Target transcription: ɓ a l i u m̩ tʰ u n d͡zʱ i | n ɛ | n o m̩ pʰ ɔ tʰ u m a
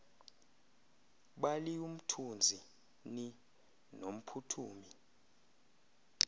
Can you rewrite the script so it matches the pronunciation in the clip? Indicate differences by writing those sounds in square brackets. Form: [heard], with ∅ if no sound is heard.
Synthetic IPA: ɓ a l i u m̩ tʰ u n d͡zʱ i | n [i] | n o m̩ pʰ [u] tʰ [uː] m [i]